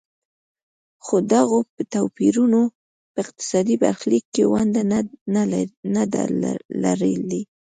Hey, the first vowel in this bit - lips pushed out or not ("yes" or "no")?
yes